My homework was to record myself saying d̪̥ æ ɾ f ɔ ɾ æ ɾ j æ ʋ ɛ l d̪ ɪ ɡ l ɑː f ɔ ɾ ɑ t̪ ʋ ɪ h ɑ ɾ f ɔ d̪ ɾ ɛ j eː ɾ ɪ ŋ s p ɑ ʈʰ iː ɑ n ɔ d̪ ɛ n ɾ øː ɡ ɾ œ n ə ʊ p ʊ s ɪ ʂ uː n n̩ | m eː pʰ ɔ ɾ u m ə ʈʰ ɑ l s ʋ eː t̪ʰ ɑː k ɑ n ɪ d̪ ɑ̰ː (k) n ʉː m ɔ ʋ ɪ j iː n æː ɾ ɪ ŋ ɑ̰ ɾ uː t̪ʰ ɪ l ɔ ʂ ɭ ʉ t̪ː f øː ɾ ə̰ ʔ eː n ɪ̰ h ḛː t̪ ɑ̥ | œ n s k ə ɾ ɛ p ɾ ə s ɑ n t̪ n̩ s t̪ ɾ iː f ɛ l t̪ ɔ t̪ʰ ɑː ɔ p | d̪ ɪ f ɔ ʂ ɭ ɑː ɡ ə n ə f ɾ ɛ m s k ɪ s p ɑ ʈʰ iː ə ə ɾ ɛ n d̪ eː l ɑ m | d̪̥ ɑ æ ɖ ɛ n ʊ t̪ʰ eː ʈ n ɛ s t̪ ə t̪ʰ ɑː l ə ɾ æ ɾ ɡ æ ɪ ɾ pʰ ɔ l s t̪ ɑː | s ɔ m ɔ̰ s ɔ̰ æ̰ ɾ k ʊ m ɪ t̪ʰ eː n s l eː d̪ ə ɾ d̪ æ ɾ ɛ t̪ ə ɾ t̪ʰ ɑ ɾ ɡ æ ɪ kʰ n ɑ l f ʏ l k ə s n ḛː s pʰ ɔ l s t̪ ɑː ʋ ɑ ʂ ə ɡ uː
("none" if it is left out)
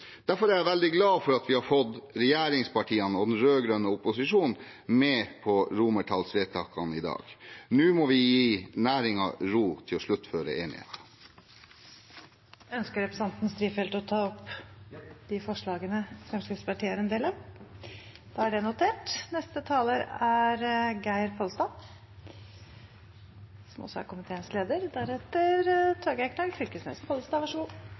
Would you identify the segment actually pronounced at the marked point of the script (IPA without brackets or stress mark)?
ɡ